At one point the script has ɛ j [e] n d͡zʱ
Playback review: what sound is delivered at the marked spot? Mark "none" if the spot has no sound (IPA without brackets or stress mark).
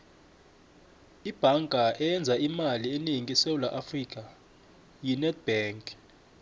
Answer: ɛ